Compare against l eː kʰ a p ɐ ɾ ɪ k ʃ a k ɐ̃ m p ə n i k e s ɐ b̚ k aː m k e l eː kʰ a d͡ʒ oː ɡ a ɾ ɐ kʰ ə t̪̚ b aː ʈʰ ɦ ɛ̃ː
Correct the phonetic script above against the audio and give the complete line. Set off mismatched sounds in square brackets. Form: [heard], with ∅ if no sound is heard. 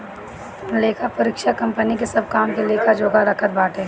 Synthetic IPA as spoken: l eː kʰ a p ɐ ɾ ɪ k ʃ a k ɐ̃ m p ə n i k e s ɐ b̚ k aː m k e l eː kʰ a d͡ʒ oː ɡ a ɾ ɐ kʰ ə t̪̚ b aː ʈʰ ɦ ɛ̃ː